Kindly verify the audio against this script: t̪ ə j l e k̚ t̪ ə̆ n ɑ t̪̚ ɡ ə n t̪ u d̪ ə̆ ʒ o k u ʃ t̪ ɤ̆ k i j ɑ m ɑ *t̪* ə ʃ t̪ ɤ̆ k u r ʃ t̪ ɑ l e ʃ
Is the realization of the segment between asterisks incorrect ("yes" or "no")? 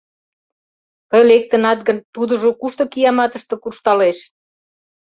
no